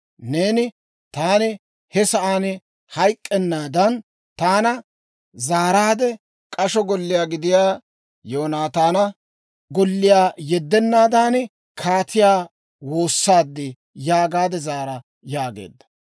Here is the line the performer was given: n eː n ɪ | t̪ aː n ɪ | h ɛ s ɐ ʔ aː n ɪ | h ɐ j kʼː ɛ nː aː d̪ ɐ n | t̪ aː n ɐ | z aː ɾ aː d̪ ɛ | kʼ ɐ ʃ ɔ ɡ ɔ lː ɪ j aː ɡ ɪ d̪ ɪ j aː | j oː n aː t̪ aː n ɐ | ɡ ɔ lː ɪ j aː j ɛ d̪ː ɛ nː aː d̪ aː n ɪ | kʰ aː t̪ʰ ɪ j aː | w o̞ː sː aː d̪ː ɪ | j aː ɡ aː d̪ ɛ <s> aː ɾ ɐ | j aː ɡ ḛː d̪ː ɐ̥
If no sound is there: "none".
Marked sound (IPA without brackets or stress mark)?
z